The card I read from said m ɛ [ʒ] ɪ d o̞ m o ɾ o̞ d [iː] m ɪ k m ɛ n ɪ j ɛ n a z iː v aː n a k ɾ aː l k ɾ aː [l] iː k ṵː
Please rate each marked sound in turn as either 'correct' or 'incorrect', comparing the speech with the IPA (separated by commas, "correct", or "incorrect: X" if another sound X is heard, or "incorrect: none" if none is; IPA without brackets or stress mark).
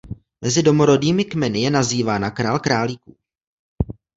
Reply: incorrect: z, correct, correct